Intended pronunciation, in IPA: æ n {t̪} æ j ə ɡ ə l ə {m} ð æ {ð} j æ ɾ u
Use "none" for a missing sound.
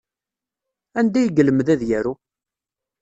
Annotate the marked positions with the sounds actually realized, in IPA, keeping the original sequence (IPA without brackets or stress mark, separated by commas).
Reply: d̪, m, ð